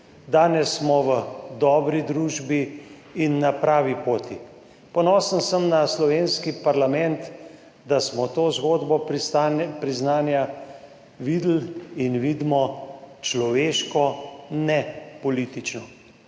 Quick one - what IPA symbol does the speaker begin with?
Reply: d̪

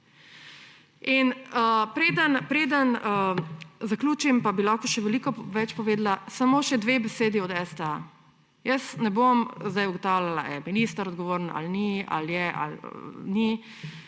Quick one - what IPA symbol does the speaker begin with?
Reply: i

